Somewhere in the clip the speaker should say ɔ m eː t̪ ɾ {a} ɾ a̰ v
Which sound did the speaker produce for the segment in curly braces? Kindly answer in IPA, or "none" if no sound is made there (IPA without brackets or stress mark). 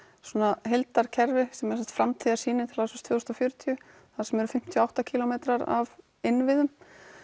a